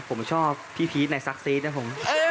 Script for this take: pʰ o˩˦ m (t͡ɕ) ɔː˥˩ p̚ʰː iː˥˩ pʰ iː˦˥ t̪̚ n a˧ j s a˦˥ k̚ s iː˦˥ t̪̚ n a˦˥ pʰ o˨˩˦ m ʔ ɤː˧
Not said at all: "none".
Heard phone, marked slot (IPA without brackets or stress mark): t͡ɕʰ